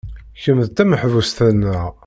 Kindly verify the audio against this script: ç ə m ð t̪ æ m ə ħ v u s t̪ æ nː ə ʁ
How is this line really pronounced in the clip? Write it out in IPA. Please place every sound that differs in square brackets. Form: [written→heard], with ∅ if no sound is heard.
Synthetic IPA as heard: ç ə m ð t̪ æ m ə ħ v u s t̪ æ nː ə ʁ